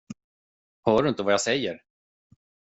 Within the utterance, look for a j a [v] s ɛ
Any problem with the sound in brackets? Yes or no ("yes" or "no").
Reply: yes